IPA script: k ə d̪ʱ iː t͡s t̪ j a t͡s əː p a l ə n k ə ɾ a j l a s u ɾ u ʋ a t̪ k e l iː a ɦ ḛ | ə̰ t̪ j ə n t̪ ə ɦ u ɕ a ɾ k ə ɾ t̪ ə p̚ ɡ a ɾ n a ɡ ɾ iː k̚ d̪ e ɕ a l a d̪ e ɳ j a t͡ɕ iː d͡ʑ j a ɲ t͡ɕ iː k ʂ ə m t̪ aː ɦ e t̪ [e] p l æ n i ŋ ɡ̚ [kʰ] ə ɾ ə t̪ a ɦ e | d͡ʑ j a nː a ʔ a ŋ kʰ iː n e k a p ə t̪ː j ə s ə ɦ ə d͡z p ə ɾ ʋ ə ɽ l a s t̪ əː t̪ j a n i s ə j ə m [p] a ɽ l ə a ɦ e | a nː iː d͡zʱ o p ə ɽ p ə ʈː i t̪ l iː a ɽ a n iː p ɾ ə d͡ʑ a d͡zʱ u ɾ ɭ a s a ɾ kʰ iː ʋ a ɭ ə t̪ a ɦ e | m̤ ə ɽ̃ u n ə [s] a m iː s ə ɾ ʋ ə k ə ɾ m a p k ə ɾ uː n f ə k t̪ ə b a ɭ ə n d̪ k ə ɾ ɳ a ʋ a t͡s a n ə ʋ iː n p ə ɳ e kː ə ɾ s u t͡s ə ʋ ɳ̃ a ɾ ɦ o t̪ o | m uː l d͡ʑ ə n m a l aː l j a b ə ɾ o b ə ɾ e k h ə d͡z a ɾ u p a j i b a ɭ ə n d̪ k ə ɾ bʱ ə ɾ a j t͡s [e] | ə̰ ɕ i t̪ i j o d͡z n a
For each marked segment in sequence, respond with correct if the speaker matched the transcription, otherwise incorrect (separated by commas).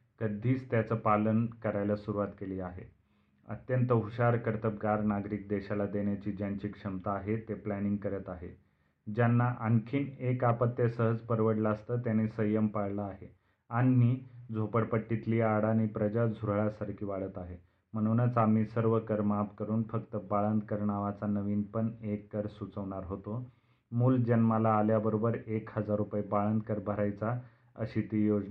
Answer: correct, incorrect, correct, incorrect, incorrect